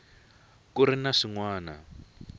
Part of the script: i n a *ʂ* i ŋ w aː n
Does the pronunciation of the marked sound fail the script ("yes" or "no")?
no